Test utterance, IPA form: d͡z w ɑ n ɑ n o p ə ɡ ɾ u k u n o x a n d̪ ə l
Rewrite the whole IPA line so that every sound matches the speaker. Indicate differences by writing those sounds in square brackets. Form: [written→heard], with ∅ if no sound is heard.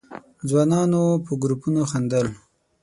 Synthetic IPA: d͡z w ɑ n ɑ n o p ə ɡ ɾ u [k→p] u n o x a n d̪ ə l